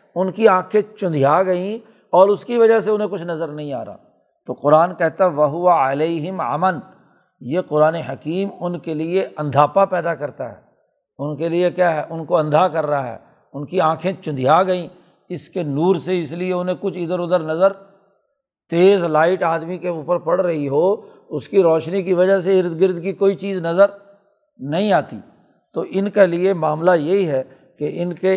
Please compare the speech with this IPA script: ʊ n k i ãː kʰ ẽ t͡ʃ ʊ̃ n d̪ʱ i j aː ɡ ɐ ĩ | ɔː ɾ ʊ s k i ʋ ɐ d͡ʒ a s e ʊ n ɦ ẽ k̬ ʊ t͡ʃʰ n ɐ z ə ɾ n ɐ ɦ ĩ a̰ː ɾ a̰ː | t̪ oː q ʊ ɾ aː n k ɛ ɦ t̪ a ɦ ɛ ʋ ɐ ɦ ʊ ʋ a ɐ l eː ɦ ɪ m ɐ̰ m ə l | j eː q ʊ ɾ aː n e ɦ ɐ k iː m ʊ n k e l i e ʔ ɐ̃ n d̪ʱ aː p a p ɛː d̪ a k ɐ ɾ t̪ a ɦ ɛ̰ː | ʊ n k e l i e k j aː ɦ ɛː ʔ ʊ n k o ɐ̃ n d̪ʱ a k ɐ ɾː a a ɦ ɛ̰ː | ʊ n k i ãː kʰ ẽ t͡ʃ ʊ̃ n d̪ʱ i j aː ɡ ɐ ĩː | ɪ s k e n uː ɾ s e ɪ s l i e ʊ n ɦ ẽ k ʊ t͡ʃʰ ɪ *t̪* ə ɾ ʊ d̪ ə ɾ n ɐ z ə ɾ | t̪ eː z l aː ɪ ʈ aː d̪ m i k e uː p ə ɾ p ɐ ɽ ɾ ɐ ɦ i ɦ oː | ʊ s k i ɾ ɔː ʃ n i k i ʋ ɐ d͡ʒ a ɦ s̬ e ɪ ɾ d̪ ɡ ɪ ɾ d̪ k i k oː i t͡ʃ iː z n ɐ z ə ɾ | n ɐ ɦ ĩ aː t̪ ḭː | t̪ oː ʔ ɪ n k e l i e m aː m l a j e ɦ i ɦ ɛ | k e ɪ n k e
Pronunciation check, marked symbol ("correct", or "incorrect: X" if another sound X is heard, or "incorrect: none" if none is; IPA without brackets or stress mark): incorrect: d̪